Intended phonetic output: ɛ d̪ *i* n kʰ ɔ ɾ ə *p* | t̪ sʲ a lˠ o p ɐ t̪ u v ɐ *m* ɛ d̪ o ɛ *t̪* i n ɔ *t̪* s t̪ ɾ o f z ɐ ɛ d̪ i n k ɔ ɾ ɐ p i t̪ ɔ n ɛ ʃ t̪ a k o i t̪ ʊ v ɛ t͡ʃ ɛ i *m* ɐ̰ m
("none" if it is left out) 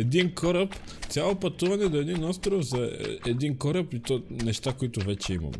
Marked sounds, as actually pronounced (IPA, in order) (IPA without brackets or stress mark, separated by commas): i, p, n, d̪, none, m